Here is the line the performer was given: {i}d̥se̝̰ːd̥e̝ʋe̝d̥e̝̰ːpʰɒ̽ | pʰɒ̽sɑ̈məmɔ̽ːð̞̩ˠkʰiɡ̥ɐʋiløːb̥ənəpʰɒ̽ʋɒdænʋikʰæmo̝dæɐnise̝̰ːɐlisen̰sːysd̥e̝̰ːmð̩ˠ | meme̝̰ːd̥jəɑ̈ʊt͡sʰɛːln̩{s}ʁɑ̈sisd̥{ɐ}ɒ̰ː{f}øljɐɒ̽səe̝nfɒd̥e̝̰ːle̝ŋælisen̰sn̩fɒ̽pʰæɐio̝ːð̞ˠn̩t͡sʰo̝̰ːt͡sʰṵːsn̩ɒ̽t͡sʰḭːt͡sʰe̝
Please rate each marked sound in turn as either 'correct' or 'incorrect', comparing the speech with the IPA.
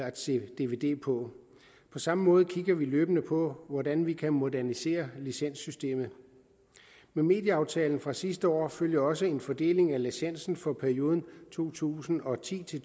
incorrect: æ, incorrect: f, incorrect: ə, correct

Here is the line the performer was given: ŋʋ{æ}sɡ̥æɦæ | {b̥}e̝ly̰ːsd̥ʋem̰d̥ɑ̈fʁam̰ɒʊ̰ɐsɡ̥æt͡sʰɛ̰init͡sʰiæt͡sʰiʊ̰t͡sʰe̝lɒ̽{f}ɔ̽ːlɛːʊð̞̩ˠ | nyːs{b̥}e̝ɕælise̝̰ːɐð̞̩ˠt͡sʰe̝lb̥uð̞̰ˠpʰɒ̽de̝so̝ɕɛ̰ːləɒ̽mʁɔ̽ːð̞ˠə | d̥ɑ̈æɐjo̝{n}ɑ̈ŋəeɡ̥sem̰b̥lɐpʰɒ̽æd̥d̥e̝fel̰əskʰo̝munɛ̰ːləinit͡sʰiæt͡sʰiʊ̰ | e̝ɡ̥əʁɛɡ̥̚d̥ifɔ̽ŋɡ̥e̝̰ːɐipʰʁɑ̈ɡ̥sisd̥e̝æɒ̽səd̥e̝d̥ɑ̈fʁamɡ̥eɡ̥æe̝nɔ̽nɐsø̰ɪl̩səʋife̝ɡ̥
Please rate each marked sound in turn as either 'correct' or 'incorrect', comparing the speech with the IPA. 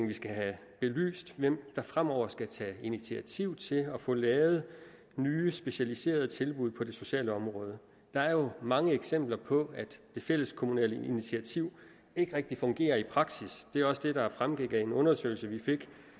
incorrect: i, correct, correct, correct, incorrect: m

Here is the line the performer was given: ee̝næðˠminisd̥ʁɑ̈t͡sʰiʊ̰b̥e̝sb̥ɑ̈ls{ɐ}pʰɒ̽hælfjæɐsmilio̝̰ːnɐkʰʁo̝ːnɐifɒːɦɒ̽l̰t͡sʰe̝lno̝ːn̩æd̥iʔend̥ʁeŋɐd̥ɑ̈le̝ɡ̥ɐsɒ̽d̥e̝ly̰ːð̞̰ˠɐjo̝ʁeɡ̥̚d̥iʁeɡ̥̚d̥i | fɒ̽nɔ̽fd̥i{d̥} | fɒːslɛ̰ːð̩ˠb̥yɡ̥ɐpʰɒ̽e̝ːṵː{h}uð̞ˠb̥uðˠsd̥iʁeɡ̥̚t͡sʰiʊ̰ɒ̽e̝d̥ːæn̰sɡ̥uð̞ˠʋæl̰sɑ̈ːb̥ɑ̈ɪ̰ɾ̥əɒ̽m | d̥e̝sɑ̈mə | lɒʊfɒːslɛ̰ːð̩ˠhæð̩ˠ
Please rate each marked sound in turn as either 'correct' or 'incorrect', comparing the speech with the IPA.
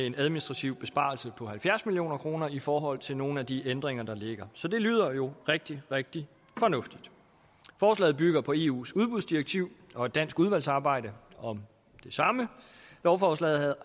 incorrect: ə, correct, incorrect: s

